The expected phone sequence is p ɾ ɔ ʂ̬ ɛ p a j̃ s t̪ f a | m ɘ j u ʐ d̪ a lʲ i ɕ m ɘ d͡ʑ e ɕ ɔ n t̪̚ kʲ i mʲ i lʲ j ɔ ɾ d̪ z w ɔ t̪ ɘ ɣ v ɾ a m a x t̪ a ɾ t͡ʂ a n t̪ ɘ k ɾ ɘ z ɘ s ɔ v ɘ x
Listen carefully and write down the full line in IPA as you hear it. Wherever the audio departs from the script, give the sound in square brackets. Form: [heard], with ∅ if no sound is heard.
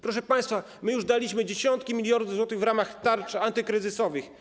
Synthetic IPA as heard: p ɾ ɔ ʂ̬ ɛ p a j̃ s t̪ f a | m ɘ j u ʐ d̪ a lʲ i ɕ m ɘ d͡ʑ e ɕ ɔ n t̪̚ kʲ i mʲ i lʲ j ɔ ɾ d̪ z w ɔ t̪ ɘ ɣ v ɾ a m a x t̪ a ɾ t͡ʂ a n t̪ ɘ k ɾ ɘ z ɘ s ɔ v ɘ x